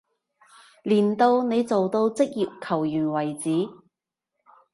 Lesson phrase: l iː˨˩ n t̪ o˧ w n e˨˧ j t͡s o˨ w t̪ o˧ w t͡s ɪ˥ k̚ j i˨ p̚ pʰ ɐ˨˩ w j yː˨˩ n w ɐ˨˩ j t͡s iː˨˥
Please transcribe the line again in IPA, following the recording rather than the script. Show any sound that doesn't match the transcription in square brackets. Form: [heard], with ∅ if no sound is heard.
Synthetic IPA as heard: l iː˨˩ n t̪ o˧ w n e˨˧ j t͡s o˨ w t̪ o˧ w t͡s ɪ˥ k̚ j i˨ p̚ [kʰ] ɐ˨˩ w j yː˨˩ n w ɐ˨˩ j t͡s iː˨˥